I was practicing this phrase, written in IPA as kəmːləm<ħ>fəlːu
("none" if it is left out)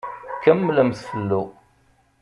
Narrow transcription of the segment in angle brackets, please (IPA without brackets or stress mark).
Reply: θ